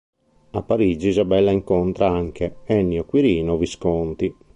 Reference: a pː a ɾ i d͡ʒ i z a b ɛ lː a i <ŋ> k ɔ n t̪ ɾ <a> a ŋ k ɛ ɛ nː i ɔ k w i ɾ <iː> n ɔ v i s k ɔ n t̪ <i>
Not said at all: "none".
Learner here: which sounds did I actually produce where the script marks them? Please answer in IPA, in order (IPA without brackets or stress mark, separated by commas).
ŋ, a, iː, i